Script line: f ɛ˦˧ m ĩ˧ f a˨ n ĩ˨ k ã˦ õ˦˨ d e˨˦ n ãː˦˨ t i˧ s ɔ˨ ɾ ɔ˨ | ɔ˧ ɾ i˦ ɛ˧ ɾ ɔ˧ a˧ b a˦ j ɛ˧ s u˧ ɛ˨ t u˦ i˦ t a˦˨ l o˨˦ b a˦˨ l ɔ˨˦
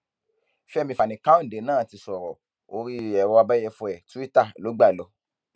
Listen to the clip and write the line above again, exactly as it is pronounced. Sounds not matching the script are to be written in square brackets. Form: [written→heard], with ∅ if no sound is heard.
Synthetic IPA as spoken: f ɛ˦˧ m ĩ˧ f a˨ n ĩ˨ k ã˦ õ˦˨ d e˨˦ n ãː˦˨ t i˧ s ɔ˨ ɾ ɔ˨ | [ɔ˧→o˧] ɾ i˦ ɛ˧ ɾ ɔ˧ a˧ b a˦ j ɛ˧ [s→f] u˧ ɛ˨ t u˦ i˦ t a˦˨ l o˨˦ [b→ɡ͡b] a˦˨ l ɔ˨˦